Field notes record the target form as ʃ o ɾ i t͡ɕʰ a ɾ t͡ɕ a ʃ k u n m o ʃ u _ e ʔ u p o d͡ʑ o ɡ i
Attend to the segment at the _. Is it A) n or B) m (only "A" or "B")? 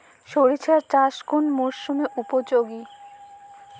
B